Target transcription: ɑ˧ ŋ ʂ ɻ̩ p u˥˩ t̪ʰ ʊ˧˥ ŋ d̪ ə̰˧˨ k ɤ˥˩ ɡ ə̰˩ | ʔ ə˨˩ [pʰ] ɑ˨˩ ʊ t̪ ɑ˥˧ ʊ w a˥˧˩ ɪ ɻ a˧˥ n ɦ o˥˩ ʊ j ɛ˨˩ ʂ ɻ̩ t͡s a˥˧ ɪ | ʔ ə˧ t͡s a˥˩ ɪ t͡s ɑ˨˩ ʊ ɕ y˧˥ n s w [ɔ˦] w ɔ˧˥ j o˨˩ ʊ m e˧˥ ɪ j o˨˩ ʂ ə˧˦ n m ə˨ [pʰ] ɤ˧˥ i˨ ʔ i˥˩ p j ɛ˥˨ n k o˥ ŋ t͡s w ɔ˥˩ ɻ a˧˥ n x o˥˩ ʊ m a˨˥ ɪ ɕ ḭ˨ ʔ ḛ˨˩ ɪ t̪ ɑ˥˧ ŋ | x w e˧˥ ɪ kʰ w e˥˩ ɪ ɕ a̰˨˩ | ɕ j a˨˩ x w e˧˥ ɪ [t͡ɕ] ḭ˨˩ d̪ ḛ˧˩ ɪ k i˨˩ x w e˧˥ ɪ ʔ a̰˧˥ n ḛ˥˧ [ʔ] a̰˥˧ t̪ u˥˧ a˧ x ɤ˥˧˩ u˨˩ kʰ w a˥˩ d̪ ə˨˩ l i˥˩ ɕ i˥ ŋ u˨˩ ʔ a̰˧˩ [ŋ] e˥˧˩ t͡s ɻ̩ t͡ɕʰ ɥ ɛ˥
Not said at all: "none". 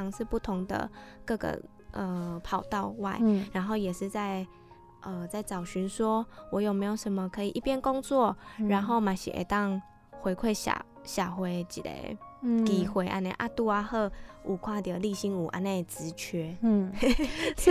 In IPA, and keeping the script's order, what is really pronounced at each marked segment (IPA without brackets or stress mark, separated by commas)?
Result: pʰ, ɔ˦, kʰ, t͡ɕ, ʔ, n